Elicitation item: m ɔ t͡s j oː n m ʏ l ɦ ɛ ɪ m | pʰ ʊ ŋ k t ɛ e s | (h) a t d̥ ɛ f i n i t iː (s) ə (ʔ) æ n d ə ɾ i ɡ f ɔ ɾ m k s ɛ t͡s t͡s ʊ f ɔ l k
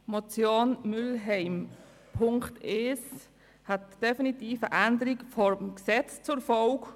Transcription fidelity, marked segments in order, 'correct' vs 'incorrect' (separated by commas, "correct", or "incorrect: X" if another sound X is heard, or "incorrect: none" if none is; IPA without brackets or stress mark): correct, incorrect: f, correct